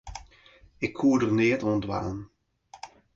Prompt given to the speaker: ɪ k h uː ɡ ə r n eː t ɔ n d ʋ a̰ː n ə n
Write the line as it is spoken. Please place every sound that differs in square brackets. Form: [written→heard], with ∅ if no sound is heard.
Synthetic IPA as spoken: ɪ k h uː [ɡ→d] ə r n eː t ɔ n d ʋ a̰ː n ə n